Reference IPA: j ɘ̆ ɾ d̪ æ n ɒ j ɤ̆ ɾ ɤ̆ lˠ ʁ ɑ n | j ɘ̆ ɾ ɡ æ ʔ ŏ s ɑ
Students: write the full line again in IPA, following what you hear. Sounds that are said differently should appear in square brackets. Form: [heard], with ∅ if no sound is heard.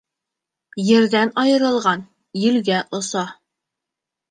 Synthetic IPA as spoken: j ɘ̆ ɾ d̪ æ n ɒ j ɤ̆ ɾ ɤ̆ lˠ ʁ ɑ n | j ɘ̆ [l] ɡ æ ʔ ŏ s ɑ